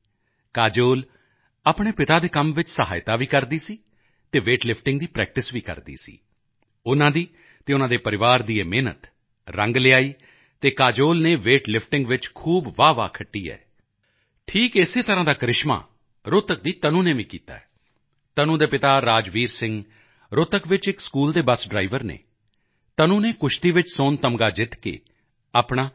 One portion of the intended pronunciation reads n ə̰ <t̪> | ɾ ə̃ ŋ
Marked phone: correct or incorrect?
correct